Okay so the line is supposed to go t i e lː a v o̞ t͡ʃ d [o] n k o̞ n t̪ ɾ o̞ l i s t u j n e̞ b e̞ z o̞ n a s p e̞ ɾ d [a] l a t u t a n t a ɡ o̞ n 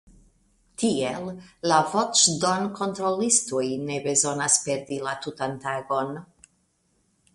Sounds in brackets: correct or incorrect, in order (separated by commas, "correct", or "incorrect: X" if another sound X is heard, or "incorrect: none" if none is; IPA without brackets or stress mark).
correct, incorrect: i